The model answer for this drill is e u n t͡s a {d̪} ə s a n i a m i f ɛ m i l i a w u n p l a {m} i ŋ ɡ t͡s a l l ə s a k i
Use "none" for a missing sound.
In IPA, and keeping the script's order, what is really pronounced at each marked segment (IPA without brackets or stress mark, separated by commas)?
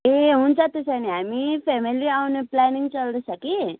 t̪, n